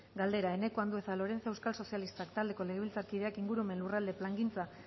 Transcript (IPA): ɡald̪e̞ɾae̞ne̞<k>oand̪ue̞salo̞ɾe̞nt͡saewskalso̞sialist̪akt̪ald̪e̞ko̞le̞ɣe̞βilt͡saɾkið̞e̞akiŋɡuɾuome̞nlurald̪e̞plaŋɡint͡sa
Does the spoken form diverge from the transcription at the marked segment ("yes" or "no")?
no